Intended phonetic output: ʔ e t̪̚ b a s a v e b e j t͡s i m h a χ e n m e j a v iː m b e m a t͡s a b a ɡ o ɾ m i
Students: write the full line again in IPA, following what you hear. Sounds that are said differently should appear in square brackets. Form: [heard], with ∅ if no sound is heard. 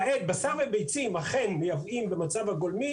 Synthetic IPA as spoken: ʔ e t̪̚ b a s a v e b e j t͡s i m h a χ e n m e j a v [i] m b e m a t͡s a [v] a ɡ o [l] m i